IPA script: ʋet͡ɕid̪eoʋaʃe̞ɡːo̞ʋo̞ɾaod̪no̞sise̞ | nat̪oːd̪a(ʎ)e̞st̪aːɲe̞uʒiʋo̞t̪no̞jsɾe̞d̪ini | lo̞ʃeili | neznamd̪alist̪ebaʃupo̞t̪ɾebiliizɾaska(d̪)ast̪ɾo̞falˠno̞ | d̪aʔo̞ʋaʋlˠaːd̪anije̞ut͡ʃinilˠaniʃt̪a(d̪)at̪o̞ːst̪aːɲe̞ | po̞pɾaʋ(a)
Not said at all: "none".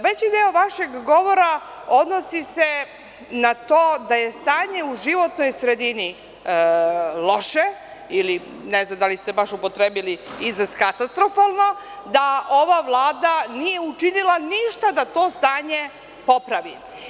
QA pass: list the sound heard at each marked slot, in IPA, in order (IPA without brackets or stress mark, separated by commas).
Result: j, t̪, d̪, i